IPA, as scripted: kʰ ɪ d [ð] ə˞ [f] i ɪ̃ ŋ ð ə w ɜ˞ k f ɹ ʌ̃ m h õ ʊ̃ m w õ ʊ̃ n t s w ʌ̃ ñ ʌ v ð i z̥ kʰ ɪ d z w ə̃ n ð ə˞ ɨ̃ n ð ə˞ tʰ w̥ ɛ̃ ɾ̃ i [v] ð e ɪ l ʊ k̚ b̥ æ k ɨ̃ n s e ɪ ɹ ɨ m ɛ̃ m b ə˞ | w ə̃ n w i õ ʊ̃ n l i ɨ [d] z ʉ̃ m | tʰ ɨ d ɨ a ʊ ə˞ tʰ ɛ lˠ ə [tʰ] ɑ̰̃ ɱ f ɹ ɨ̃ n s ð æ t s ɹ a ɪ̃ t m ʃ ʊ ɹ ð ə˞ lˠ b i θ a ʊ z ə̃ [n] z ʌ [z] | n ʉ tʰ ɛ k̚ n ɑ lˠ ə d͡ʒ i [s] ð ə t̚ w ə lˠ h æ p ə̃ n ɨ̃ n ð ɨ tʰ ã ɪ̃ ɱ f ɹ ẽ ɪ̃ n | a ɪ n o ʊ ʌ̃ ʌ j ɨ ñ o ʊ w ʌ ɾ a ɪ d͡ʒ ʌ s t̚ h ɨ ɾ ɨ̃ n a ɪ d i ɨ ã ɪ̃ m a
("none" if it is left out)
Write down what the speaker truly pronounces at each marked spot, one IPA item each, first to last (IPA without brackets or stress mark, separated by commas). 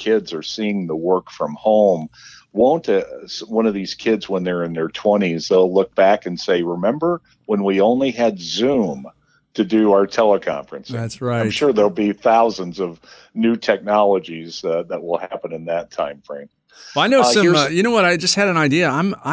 z, s, z, d, kʰ, n, v, z